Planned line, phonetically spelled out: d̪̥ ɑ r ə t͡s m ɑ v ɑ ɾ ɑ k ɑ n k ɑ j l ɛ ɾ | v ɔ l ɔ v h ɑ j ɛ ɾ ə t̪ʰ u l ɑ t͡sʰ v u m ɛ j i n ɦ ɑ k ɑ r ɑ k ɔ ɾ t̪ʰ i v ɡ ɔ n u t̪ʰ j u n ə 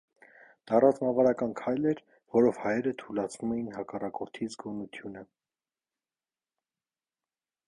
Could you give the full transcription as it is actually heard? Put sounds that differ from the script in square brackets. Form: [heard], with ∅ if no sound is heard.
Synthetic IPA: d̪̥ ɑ r [ɑ] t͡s m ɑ v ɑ ɾ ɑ k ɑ n [kʰ] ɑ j l ɛ ɾ | v ɔ [ɾ] ɔ v h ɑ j ɛ ɾ ə t̪ʰ u l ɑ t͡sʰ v u m ɛ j i n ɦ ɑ k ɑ r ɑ k ɔ ɾ t̪ʰ i [z] ɡ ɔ n u t̪ʰ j u n ə